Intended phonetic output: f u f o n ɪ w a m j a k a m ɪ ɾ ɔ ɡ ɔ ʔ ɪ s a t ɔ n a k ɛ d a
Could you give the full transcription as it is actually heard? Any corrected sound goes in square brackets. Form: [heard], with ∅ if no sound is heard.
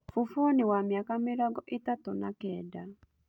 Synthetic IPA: f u f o n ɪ w a m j a k a m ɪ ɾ ɔ ɡ ɔ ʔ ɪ [t] a t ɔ n a k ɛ d a